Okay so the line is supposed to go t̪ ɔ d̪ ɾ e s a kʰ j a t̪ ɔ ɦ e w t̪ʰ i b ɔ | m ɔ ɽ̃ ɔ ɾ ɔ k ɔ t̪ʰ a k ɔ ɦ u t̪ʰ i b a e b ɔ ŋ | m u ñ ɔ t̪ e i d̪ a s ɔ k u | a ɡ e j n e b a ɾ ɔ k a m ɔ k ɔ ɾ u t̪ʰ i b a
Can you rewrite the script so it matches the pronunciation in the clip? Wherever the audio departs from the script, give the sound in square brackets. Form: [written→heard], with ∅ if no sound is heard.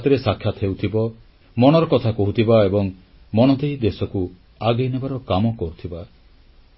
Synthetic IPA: t̪ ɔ [d̪→∅] ɾ e s a kʰ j a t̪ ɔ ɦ e w t̪ʰ i b ɔ | m ɔ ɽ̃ ɔ ɾ ɔ k ɔ t̪ʰ a k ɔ ɦ u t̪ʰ i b a e b ɔ ŋ | m [u→ɔ] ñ ɔ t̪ e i d̪ [a→e] s ɔ k u | a ɡ e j n e b a ɾ ɔ k a m ɔ k ɔ ɾ u t̪ʰ i b a